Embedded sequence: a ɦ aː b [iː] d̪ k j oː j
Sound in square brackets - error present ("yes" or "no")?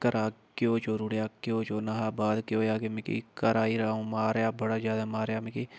yes